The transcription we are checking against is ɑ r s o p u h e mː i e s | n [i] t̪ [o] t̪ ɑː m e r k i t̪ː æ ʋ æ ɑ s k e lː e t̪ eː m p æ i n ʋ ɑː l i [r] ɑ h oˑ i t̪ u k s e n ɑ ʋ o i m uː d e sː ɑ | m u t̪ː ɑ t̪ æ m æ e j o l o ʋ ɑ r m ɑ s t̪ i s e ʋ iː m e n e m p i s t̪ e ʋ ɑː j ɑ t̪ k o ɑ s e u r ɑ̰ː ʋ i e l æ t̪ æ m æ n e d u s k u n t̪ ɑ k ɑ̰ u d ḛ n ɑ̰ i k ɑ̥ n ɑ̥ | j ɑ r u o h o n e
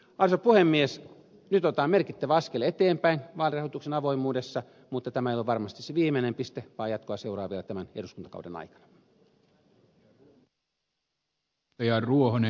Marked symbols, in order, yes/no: no, yes, yes

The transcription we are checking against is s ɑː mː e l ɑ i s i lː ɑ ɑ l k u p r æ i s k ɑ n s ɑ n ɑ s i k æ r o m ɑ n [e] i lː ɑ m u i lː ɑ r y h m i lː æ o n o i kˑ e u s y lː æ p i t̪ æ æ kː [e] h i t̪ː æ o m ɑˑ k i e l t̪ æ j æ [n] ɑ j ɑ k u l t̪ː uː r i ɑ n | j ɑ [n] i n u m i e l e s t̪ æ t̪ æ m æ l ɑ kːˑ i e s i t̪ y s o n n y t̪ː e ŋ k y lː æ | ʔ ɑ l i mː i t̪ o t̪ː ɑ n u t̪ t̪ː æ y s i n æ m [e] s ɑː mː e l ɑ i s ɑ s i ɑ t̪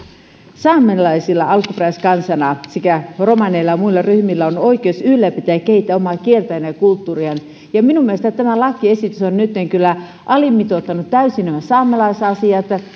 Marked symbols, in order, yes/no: yes, yes, yes, no, no

